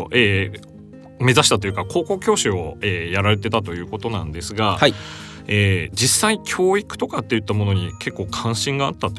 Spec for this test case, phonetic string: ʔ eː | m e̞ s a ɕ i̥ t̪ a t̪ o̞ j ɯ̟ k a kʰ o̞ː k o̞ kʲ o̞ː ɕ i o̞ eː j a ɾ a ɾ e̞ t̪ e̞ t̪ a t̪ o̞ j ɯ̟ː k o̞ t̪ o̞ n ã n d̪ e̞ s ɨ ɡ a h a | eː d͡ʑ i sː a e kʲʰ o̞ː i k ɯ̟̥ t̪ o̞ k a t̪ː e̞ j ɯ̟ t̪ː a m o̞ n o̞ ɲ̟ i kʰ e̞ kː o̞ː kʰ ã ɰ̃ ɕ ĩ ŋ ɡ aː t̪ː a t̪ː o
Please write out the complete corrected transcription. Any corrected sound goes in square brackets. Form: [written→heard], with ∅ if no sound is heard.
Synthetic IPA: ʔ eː | m e̞ [s→z] a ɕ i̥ t̪ a t̪ o̞ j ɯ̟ k a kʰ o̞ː k o̞ kʲ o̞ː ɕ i o̞ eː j a ɾ a ɾ e̞ t̪ e̞ t̪ a t̪ o̞ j ɯ̟ː k o̞ t̪ o̞ n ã n d̪ e̞ s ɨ ɡ a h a | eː d͡ʑ i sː a [e→i] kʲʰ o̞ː i k ɯ̟̥ t̪ o̞ k a t̪ː e̞ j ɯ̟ t̪ː a m o̞ n o̞ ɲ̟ i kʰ e̞ kː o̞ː kʰ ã ɰ̃ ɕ ĩ ŋ ɡ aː t̪ː a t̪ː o